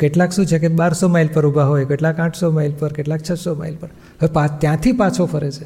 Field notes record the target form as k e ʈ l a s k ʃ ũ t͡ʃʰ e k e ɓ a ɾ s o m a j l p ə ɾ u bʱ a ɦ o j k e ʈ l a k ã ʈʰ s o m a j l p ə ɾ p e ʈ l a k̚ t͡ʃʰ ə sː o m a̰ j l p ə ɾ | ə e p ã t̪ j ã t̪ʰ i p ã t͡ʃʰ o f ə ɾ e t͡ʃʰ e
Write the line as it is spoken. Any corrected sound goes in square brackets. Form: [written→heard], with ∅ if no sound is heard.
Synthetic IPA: k e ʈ l a [s→∅] k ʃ ũ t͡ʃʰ e k e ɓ a ɾ s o m a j l p ə ɾ u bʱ a ɦ o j k e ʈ l a k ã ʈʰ s o m a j l p ə ɾ [p→k] e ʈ l a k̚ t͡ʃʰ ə [sː→s] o m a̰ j l p ə ɾ | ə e p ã t̪ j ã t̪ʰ i p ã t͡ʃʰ o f ə ɾ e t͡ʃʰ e